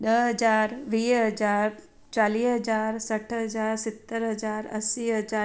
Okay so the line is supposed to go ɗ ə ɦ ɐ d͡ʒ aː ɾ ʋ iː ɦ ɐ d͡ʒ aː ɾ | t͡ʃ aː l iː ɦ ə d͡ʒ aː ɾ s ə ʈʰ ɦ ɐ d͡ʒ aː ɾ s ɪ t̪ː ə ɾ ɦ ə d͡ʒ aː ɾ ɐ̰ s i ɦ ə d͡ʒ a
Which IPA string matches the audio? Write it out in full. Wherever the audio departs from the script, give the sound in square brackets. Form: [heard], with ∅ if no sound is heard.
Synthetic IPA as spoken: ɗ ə ɦ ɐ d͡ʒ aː ɾ ʋ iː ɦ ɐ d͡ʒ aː ɾ | t͡ʃ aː l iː ɦ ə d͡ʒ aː ɾ s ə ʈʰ ɦ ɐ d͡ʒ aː ɾ s ɪ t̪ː ə ɾ ɦ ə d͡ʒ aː ɾ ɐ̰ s i ɦ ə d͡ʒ a

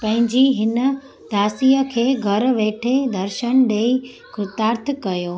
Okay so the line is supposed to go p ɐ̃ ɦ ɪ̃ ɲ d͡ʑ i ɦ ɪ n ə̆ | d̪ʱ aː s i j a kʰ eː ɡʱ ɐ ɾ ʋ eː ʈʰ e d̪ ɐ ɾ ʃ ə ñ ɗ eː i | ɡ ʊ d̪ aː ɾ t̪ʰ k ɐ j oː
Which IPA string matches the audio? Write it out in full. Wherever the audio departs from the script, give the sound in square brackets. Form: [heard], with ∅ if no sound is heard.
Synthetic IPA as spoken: p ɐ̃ ɦ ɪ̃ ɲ d͡ʑ i ɦ ɪ n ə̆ | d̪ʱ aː s i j [ə] kʰ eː ɡʱ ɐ ɾ ʋ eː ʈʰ e d̪ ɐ ɾ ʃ ə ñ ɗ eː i | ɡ ʊ [t̪] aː ɾ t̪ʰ k ɐ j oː

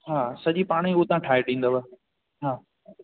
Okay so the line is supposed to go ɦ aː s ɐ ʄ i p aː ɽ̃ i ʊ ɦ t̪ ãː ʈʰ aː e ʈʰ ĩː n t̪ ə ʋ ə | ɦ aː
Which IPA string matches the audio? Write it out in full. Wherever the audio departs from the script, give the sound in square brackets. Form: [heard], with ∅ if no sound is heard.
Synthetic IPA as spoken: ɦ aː s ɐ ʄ i p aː ɽ̃ i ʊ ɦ t̪ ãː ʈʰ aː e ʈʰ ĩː n [d̪] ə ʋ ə | ɦ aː

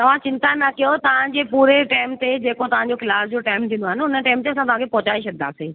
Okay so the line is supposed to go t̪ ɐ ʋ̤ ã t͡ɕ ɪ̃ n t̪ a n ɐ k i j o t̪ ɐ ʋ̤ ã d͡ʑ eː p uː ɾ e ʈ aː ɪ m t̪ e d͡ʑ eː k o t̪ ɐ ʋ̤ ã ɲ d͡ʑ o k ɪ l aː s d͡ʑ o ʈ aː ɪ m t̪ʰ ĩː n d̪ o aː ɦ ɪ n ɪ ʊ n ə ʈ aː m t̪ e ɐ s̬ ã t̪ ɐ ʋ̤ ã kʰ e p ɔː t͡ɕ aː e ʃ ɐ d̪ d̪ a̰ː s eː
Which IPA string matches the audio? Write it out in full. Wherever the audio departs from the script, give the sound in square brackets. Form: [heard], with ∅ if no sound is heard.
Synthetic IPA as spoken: t̪ ɐ ʋ̤ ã t͡ɕ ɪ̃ n t̪ a n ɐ k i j o t̪ ɐ ʋ̤ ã d͡ʑ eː p uː ɾ e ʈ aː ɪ m t̪ e d͡ʑ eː k o t̪ ɐ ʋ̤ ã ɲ d͡ʑ o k ɪ l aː s d͡ʑ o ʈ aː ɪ m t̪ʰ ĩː n d̪ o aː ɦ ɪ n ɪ ʊ n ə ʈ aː m t̪ e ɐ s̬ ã t̪ ɐ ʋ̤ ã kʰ e p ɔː t͡ɕ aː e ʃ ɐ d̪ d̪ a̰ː s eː

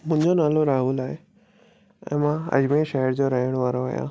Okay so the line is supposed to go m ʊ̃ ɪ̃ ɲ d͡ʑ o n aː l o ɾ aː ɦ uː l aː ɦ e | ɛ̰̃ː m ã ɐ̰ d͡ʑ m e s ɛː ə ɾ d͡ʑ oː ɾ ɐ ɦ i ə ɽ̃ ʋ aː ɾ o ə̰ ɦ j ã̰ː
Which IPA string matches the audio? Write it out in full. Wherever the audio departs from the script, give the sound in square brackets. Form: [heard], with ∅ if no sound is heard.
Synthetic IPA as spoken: m ʊ̃ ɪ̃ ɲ d͡ʑ o n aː l o ɾ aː ɦ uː l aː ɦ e | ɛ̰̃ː m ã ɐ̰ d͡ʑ m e [ʃ] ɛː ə ɾ d͡ʑ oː ɾ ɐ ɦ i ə ɽ̃ ʋ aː ɾ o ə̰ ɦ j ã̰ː

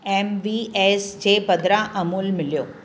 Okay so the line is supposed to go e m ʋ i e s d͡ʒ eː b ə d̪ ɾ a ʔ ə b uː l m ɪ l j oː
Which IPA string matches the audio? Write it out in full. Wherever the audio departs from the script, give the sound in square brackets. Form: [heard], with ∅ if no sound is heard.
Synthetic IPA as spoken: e m ʋ i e s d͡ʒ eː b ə d̪ ɾ a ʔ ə [m] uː l m ɪ l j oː

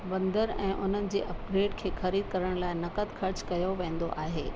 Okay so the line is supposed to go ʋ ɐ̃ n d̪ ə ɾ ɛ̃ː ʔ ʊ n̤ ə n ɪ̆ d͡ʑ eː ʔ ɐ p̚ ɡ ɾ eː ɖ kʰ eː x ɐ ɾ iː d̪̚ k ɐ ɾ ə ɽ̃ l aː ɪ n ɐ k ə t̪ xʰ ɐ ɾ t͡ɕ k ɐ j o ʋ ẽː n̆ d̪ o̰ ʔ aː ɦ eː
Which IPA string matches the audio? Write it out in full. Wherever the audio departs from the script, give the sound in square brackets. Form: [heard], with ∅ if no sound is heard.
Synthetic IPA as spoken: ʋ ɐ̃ n d̪ ə ɾ ɛ̃ː ʔ ʊ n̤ ə n ɪ̆ d͡ʑ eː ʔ ɐ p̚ ɡ ɾ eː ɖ kʰ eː x ɐ ɾ iː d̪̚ k ɐ ɾ ə ɽ̃ l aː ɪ n ɐ k ə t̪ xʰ ɐ ɾ t͡ɕ k ɐ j o ʋ ẽː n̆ d̪ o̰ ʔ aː ɦ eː

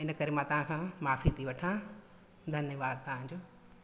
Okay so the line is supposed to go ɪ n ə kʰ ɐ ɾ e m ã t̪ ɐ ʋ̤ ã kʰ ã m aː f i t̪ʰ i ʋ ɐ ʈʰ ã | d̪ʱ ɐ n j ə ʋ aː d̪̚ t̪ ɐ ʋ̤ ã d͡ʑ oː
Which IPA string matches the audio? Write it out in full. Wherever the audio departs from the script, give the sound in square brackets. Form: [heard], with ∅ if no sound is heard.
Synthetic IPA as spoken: ɪ n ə [k] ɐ ɾ e m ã t̪ ɐ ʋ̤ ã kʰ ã m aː f i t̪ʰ i ʋ ɐ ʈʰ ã | d̪ʱ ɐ n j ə ʋ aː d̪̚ t̪ ɐ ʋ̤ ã d͡ʑ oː

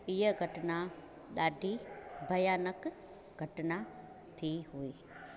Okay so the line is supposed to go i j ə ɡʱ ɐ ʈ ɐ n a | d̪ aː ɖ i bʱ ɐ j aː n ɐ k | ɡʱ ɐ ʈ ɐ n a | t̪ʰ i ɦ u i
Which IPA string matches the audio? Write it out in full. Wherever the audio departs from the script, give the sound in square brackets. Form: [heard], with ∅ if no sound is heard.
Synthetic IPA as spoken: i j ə ɡʱ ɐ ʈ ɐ n a | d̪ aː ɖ i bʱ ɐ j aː n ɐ k | ɡʱ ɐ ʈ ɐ n a | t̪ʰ i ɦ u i

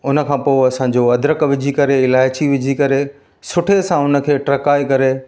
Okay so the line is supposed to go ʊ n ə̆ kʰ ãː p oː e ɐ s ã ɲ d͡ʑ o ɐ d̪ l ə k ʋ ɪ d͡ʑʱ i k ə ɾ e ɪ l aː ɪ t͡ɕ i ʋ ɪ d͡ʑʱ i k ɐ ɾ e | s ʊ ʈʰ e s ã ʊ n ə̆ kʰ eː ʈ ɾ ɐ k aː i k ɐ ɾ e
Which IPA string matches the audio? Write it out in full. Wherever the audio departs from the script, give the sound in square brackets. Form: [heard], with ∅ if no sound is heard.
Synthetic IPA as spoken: ʊ n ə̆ kʰ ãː p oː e ɐ s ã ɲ d͡ʑ o ɐ d̪ [ɾ] ə k ʋ ɪ d͡ʑʱ i k [ɐ] ɾ e ɪ l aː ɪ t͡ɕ i ʋ ɪ d͡ʑʱ i k ɐ ɾ e | s ʊ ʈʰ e s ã ʊ n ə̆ kʰ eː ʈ ɾ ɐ k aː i k ɐ ɾ e

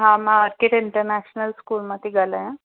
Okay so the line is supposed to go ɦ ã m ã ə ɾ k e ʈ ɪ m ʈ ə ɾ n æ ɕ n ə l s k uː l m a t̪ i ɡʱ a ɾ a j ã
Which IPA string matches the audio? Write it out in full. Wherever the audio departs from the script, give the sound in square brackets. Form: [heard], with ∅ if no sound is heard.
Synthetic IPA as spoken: ɦ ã m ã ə ɾ k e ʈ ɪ [ɳ] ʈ ə ɾ n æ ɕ n ə l s k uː l m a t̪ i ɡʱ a [l] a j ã

